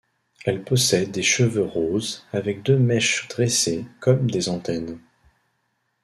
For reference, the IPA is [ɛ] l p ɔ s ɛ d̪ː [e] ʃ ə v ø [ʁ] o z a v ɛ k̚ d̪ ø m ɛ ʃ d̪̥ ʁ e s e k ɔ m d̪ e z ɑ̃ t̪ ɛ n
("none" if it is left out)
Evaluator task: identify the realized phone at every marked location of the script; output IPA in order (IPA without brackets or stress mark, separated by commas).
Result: ɛ, e, ʁ